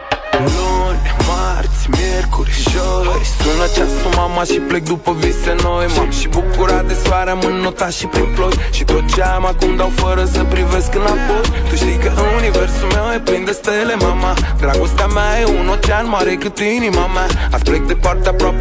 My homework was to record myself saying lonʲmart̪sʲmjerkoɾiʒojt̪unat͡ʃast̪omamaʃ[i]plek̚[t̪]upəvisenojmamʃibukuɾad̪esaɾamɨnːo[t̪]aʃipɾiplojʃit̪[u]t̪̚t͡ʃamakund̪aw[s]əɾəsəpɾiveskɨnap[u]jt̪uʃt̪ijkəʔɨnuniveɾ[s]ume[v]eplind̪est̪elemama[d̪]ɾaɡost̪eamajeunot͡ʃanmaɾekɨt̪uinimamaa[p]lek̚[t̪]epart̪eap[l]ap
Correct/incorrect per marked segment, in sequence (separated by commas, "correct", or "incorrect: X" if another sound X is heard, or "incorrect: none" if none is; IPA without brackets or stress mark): correct, incorrect: d̪, correct, incorrect: o, incorrect: f, incorrect: o, correct, incorrect: w, correct, correct, incorrect: d̪, incorrect: ɾ